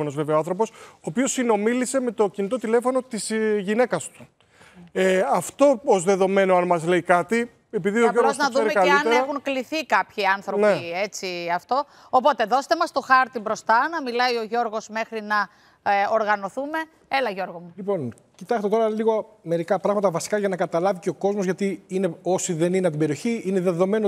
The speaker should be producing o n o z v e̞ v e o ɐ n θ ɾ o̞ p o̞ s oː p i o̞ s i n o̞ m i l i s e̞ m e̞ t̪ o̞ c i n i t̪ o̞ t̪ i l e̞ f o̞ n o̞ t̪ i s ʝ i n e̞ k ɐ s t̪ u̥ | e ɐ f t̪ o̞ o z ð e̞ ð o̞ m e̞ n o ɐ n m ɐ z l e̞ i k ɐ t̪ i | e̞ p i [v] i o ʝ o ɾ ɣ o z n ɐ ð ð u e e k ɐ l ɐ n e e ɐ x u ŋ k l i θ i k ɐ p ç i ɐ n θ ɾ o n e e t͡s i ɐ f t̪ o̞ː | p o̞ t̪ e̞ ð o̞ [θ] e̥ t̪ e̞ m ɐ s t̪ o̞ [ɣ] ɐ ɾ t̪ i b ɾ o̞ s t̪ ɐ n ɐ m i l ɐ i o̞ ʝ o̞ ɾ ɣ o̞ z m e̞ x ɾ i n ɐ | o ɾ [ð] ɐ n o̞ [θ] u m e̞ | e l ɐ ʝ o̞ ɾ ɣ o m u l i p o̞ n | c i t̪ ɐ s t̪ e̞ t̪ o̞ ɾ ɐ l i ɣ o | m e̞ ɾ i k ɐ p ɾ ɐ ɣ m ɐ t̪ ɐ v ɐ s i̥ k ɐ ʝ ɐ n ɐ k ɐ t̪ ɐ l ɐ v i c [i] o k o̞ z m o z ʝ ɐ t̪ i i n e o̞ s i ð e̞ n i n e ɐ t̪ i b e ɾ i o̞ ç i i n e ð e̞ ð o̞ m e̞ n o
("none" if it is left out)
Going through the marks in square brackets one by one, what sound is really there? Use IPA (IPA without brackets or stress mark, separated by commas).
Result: ð, s, x, ɣ, θ, e